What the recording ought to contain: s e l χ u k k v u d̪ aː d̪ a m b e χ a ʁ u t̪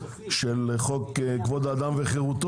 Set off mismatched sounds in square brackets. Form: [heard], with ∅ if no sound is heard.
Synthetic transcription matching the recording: [ʃ] e l χ [o] k k v [o] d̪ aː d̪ a m [v] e χ [e] ʁ u t̪